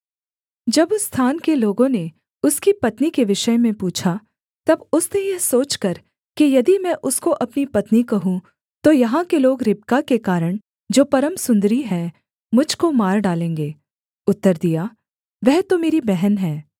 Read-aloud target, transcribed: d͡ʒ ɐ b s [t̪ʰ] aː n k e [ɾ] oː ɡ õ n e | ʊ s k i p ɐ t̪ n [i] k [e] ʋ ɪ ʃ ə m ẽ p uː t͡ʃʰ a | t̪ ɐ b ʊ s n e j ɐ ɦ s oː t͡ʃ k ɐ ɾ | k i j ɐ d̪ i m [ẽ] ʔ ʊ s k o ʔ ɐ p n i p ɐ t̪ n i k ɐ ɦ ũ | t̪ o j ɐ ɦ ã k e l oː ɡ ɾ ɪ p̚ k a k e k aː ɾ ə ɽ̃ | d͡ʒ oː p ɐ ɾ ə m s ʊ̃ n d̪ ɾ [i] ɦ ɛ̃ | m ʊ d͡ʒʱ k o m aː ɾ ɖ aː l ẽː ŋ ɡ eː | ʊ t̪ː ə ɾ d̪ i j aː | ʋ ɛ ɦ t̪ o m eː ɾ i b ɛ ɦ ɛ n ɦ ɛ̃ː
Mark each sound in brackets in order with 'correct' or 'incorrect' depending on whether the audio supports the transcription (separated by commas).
correct, incorrect, correct, correct, incorrect, correct